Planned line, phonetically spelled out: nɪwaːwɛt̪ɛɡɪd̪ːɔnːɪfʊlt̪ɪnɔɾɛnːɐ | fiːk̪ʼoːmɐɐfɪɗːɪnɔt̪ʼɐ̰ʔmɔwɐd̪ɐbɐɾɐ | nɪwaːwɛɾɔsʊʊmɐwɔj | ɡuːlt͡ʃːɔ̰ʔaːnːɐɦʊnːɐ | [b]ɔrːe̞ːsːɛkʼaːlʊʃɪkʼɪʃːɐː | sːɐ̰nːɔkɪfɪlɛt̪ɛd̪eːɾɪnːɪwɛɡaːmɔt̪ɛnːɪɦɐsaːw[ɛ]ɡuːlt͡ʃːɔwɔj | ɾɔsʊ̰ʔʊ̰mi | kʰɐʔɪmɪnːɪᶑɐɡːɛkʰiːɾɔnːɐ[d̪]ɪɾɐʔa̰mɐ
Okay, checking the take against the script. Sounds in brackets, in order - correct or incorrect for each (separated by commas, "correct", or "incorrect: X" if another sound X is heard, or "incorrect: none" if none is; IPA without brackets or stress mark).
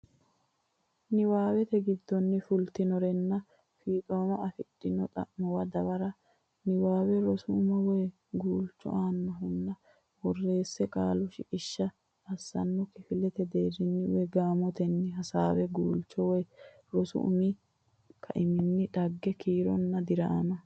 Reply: incorrect: w, correct, correct